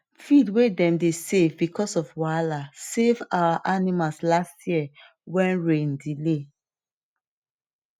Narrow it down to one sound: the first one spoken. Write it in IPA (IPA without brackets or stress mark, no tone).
f